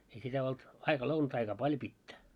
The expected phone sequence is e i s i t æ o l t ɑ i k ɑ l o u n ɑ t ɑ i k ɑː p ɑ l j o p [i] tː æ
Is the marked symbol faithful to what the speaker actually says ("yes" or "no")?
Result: yes